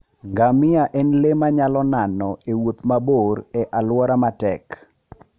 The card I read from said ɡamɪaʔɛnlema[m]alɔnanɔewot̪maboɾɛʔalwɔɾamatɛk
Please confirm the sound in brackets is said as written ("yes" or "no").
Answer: no